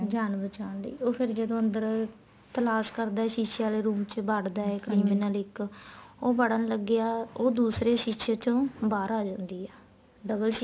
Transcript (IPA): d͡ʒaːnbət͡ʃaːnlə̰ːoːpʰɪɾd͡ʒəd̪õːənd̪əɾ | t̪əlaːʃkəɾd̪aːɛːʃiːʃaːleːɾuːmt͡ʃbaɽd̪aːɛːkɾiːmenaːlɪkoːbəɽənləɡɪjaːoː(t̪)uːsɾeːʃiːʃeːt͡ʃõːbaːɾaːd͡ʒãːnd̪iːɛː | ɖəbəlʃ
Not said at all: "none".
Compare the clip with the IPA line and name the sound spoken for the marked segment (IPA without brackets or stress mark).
d̪